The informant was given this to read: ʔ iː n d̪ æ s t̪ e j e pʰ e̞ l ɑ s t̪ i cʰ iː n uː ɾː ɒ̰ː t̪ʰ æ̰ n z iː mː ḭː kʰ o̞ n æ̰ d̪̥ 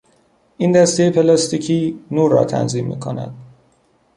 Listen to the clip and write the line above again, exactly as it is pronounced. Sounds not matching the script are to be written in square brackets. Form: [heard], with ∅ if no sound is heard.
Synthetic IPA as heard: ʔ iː n d̪ æ s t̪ e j e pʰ e̞ l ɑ s t̪ i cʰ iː n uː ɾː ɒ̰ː t̪ʰ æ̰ n z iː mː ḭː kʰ o̞ n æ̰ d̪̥